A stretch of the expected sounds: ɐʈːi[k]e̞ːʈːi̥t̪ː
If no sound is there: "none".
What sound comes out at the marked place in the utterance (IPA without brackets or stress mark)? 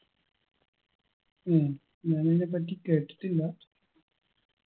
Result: k